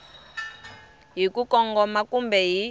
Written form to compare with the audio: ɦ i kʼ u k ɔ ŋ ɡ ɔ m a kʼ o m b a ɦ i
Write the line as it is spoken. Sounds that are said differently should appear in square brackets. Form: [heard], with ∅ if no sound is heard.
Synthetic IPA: ɦ i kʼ u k ɔ ŋ ɡ ɔ m a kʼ [u] m b [ɛ] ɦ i